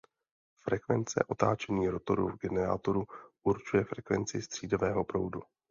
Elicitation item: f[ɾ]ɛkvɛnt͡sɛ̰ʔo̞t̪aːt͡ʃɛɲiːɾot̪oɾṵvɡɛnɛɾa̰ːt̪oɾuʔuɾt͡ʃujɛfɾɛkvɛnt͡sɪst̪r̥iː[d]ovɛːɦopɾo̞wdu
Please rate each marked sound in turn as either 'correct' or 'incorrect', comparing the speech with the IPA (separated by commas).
correct, correct